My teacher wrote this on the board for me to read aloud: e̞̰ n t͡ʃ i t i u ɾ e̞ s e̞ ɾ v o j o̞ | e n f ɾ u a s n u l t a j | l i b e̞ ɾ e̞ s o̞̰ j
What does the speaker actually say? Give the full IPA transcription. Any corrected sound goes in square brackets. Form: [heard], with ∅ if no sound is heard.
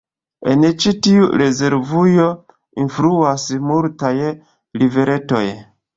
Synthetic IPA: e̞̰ n t͡ʃ i t i u ɾ e̞ [z] e̞ ɾ v [u] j o̞ | [i] n f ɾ u a s [m] u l t a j | l i [v] e̞ ɾ e̞ [t] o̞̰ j

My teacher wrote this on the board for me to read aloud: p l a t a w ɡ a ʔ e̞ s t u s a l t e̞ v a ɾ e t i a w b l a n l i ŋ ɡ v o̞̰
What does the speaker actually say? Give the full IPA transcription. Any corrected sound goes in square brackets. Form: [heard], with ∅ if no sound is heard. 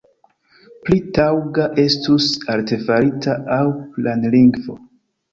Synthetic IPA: p l [i] t a w ɡ a ʔ e̞ s t u s a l t e̞ [f] a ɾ [i] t [a] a w [p] l a n l i ŋ ɡ v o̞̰

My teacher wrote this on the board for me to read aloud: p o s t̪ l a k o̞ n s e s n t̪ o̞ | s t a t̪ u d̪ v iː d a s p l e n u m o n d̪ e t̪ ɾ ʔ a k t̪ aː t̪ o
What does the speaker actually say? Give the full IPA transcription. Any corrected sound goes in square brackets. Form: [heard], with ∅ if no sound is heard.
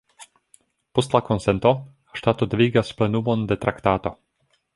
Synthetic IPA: p o s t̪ l a k o̞ n s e [∅] n t̪ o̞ | [ʃ] t a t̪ [o] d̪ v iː [ɡ] a s p l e n u m o n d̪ e t̪ ɾ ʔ a k t̪ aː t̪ o

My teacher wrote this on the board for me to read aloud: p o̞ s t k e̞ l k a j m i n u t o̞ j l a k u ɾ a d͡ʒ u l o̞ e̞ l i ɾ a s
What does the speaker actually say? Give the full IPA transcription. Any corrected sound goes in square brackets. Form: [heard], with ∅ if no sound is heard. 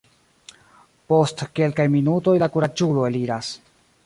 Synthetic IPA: p o̞ s t k e̞ l k a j m i n u t o̞ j l a k u ɾ a d͡ʒ u l o̞ e̞ l i ɾ a s

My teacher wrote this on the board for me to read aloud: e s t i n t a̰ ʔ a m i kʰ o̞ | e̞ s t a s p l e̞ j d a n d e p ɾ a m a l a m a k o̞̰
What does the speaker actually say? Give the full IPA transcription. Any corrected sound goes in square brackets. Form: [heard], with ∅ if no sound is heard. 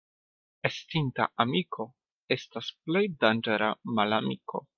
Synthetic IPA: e s t i n t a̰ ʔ a m i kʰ o̞ | e̞ s t a s p l e̞ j d a n [d͡ʒ] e [∅] ɾ a m a l a m [i] k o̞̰

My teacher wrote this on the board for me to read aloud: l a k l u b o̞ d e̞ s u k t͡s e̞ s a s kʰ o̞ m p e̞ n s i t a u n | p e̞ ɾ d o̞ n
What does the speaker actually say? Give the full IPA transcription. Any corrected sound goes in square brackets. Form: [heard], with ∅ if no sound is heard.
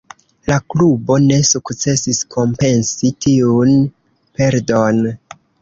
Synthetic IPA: l a k l u b o̞ [n] e̞ s u k t͡s e̞ s [i] s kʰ o̞ m p e̞ n s i t [i] u n | p e̞ ɾ d o̞ n

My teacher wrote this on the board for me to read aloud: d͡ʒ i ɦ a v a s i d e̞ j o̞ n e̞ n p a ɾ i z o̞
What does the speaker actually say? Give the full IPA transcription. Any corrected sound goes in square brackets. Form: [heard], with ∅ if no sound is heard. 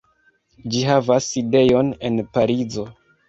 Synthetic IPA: d͡ʒ i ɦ a v a s i d e̞ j o̞ n e̞ n p a ɾ i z o̞

